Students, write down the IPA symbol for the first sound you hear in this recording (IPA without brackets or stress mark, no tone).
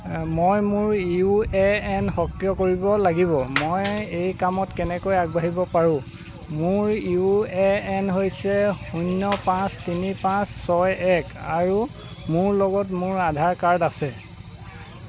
m